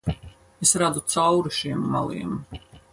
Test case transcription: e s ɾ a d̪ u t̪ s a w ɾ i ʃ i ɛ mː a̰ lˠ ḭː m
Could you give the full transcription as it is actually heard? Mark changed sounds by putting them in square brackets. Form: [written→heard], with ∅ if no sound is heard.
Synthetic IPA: e s ɾ a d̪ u t̪ s a w ɾ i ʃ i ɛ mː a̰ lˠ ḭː m

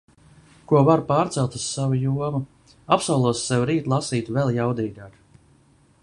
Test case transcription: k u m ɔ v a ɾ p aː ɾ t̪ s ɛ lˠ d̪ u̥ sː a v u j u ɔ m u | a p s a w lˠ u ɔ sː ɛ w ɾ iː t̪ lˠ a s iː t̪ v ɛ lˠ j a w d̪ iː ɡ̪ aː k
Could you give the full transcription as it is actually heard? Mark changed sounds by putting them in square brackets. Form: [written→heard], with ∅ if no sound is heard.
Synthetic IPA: k u [m→∅] ɔ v a ɾ p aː ɾ t̪ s ɛ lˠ [d̪→t̪] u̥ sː a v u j u ɔ m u | a p s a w lˠ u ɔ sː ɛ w ɾ iː t̪ lˠ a s iː t̪ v ɛ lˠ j a w d̪ iː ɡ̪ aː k

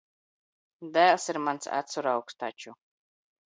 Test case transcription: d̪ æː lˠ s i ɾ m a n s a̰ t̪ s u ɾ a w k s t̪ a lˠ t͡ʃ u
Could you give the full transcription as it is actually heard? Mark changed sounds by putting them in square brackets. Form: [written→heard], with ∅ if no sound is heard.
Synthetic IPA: d̪ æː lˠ s i ɾ m a n s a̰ t̪ s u ɾ a w k s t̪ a [lˠ→∅] t͡ʃ u

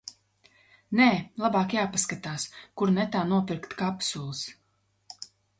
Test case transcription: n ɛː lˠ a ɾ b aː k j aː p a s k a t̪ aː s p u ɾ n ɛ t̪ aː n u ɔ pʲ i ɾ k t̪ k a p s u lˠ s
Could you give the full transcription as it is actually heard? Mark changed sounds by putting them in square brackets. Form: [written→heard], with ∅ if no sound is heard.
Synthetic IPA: n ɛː lˠ a [ɾ→∅] b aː k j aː p a s k a t̪ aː s [p→k] u ɾ n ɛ t̪ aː n u ɔ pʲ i ɾ k t̪ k a p s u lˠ s

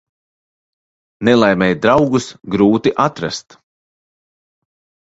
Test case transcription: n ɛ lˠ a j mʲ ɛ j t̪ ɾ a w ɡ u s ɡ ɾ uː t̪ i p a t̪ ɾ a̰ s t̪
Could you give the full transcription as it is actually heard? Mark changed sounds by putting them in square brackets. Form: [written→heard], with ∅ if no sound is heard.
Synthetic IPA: n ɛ lˠ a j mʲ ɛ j [t̪→d̪] ɾ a w ɡ u s ɡ ɾ uː t̪ i [p→ʔ] a t̪ ɾ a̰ s t̪

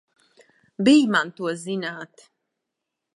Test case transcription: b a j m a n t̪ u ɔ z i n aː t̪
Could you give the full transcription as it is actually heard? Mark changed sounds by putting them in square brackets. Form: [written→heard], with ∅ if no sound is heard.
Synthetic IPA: b [a→i] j m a n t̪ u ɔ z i n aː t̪

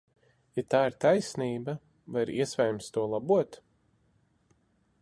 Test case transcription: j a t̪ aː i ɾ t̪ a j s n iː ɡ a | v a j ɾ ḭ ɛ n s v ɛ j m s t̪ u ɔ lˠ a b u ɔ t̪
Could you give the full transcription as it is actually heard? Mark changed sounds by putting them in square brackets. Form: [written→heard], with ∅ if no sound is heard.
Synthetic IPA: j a t̪ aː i ɾ t̪ a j s n iː [ɡ→b] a | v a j ɾ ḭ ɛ [n→∅] s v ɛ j m s t̪ u ɔ lˠ a b u ɔ t̪

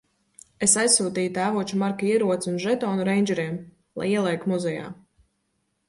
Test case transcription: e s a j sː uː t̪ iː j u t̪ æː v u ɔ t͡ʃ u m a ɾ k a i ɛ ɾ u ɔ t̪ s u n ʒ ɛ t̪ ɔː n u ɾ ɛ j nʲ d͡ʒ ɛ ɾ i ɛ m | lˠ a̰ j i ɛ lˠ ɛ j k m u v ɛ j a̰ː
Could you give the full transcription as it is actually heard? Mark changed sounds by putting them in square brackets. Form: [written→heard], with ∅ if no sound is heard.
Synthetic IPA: e s a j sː uː t̪ iː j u t̪ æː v u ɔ t͡ʃ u m a ɾ k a i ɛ ɾ u ɔ t̪ s u n ʒ ɛ t̪ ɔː n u ɾ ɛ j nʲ d͡ʒ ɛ ɾ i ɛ m | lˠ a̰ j i ɛ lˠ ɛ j k m u [v→z] ɛ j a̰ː

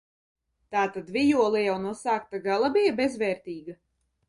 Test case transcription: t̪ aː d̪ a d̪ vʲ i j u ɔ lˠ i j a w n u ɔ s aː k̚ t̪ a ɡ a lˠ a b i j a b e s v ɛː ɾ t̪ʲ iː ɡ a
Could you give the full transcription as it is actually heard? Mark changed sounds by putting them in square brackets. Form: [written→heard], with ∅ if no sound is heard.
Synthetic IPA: t̪ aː [d̪→t̪] a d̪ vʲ i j u ɔ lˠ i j a w n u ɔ s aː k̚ t̪ a ɡ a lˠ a b i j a b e [s→z] v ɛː ɾ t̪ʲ iː ɡ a

